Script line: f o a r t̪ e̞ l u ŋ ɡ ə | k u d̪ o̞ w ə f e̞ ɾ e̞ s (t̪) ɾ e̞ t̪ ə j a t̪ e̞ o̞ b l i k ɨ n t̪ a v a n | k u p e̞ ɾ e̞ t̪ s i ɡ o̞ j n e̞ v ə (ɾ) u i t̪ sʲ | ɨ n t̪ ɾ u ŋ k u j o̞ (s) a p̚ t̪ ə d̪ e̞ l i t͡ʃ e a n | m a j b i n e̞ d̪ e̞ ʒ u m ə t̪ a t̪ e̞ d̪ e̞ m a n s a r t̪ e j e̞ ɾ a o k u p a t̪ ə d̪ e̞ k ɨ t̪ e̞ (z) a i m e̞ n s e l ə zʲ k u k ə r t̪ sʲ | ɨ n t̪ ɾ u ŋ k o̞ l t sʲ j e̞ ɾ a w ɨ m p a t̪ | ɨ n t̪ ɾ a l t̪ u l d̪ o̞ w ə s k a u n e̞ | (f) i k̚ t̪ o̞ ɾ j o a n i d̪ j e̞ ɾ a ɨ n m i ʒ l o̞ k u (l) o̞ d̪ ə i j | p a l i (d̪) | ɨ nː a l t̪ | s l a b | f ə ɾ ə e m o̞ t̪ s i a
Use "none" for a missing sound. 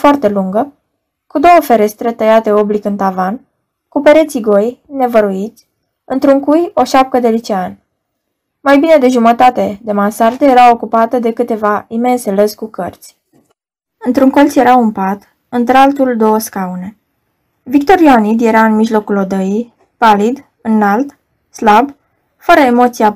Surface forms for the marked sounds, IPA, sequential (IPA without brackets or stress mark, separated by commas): t̪, ɾ, ʃ, v, v, l, d̪